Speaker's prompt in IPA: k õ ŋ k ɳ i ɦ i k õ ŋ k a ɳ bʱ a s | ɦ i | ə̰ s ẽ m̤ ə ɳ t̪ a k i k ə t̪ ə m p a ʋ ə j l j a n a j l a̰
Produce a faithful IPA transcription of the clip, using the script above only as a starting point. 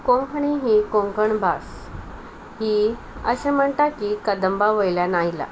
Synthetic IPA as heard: k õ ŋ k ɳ i ɦ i k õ ŋ k ə ɳ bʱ a s | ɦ i | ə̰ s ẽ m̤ ə ɳ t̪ a k i k ə d̪ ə m b a ʋ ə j l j a n a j l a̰